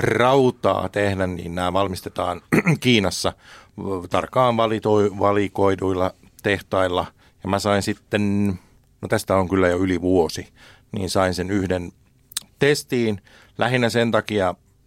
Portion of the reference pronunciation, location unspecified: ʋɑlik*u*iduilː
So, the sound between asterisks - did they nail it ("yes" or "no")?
no